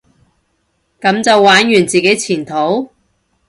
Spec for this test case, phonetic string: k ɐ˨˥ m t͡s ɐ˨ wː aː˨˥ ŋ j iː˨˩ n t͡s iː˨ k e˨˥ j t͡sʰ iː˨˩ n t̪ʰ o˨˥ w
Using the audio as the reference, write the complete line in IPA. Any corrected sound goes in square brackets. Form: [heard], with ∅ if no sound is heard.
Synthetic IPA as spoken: k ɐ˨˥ m t͡s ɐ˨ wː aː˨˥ [n] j [yː˨˩] n t͡s iː˨ k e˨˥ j t͡sʰ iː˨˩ n t̪ʰ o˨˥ w